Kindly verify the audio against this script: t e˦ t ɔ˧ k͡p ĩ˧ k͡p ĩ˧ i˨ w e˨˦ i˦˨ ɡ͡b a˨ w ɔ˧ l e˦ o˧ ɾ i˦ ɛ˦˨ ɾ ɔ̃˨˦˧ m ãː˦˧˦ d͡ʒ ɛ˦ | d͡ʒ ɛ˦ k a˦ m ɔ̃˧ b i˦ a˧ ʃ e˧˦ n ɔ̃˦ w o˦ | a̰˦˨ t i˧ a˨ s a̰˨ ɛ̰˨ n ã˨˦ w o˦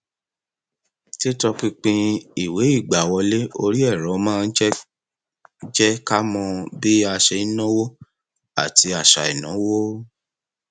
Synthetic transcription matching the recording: t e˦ t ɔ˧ k͡p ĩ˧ k͡p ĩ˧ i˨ w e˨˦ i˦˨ ɡ͡b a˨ w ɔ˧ l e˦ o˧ ɾ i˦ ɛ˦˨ ɾ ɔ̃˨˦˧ m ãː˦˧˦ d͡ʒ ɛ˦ | d͡ʒ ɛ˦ k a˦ m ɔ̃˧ b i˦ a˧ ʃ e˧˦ n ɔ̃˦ w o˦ | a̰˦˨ t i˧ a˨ ʃ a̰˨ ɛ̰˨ n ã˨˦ w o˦